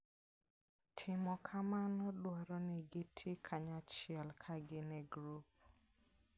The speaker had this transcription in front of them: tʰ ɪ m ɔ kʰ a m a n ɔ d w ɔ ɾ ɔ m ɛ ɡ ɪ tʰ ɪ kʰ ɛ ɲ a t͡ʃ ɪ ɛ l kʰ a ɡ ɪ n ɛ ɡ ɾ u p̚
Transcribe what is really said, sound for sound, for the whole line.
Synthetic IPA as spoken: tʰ ɪ m ɔ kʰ a m a n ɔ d w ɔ ɾ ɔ n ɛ ɡ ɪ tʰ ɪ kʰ a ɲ a t͡ʃ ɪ ɛ l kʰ a ɡ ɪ n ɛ ɡ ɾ u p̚